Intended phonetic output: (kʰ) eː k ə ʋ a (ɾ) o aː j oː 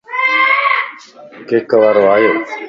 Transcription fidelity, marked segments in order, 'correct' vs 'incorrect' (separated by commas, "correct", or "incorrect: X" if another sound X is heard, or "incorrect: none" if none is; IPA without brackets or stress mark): incorrect: k, correct